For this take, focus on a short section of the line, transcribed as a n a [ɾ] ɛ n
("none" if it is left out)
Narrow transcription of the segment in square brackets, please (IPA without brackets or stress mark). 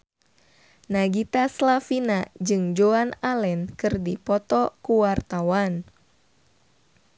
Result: l